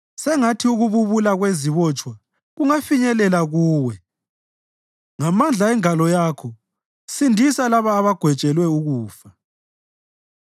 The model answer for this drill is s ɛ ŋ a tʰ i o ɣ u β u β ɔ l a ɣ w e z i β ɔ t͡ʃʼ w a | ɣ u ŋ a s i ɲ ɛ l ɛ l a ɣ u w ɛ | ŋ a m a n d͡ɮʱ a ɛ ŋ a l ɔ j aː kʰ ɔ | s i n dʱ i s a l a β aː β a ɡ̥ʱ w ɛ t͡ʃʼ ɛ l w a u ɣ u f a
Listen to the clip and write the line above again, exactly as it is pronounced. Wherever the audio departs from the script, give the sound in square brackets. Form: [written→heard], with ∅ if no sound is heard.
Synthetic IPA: s ɛ ŋ a tʰ i [o→u] ɣ u β u β [ɔ→u] l a ɣ w e z i β ɔ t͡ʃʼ w a | ɣ u ŋ a [s→f] i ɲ ɛ l ɛ l a ɣ [u→uː] w ɛ | ŋ a m a n d͡ɮʱ a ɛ ŋ a l ɔ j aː kʰ ɔ | s i n dʱ i s a l a β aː β a ɡ̥ʱ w ɛ t͡ʃʼ ɛ l w [a→ɛ] u ɣ [u→uː] f a